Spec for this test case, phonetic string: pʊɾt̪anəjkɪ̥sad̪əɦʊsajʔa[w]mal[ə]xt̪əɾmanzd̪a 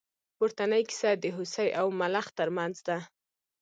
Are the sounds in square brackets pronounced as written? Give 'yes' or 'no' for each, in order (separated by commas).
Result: yes, no